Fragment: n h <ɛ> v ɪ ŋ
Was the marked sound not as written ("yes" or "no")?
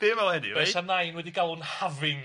yes